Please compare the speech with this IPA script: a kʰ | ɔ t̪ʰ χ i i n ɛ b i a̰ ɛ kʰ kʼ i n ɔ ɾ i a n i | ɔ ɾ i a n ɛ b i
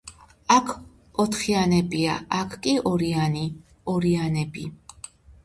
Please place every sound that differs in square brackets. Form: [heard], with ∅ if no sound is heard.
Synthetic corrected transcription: a kʰ | ɔ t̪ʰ χ i [a] n ɛ b i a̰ [a] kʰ kʼ i [∅] ɔ ɾ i a n i | ɔ ɾ i a n ɛ b i